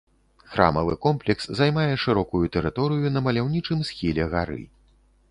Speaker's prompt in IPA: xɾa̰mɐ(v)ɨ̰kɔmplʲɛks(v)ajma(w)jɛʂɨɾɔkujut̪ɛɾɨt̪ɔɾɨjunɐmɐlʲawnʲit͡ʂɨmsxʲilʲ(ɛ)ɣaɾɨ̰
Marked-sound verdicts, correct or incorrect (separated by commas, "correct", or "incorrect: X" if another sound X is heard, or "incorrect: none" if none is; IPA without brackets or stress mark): correct, incorrect: z, incorrect: none, correct